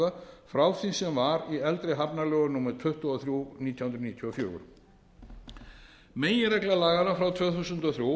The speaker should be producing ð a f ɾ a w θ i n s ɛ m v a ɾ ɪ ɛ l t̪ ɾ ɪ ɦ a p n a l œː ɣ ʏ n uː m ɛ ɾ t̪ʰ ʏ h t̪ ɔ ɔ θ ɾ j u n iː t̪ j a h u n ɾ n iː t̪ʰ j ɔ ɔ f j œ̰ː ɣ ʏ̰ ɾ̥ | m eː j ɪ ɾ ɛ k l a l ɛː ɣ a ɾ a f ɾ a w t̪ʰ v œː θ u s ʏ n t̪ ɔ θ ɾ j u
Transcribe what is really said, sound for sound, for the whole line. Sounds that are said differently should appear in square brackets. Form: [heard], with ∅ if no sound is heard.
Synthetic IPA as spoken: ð a f ɾ a w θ i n s ɛ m v a ɾ [i] ɛ l t̪ ɾ ɪ ɦ a p n a l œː ɣ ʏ n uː m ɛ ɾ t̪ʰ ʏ h t̪ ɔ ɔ θ ɾ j u n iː t̪ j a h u n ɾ n iː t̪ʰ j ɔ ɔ f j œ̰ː ɣ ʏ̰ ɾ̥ | m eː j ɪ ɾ ɛ k l a l [aː] ɣ a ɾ a f ɾ a w t̪ʰ v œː θ u s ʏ n t̪ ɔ θ ɾ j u